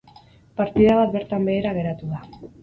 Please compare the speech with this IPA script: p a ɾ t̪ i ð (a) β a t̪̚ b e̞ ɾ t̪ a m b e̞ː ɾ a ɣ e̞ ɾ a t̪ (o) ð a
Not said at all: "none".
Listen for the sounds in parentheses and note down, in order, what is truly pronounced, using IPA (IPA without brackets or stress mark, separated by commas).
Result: a, u